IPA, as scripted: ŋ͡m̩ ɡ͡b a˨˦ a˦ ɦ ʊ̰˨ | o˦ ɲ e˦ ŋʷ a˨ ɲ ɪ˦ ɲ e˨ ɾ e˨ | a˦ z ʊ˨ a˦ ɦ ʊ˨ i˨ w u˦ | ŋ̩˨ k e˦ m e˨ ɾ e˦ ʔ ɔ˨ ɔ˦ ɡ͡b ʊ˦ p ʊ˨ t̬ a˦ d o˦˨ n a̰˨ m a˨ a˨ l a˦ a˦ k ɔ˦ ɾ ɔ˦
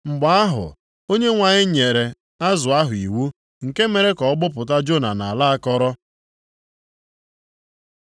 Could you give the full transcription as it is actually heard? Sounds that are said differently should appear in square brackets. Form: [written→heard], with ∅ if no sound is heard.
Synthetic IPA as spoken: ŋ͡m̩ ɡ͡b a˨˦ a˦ ɦ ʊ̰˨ | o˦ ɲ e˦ ŋʷ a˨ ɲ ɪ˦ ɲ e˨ ɾ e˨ | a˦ z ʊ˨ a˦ ɦ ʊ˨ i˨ w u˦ | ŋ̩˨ k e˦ m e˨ ɾ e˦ [ʔ→k] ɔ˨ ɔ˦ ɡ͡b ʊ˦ p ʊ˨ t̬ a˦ [d→d͡ʒ] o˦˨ n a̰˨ [m→n] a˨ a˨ l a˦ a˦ k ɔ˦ ɾ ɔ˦